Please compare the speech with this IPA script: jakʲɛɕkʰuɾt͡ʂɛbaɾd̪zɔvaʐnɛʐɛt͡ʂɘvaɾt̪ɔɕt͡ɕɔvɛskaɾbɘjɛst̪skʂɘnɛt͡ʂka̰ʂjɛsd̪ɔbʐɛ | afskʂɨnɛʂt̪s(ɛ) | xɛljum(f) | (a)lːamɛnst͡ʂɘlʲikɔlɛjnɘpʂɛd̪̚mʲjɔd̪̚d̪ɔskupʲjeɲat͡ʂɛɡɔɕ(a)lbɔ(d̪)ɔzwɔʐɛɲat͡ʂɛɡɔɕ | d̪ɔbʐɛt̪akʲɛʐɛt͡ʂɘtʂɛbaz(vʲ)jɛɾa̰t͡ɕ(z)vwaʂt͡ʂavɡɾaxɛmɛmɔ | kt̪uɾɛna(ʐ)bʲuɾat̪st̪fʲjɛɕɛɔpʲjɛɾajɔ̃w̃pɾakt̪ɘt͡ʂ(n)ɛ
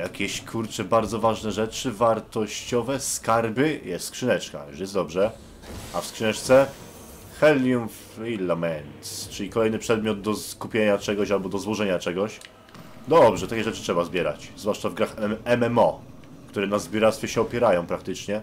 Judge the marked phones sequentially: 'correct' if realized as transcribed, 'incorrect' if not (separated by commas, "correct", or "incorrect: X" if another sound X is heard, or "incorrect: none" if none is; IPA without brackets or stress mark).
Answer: correct, correct, incorrect: i, correct, correct, incorrect: bʲ, correct, incorrect: z, incorrect: ɲ